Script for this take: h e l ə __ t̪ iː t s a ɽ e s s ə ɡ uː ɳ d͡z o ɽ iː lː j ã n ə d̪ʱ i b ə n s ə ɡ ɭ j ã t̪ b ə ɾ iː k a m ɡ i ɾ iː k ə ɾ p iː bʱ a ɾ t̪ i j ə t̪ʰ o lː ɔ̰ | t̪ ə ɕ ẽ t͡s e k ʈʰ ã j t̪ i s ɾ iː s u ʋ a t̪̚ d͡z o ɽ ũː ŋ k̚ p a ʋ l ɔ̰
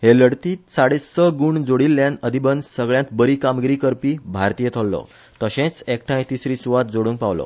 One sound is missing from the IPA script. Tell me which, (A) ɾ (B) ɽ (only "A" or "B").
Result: B